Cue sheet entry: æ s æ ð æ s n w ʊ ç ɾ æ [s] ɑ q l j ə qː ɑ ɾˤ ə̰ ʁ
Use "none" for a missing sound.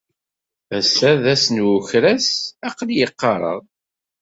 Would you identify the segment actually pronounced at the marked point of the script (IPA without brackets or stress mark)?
s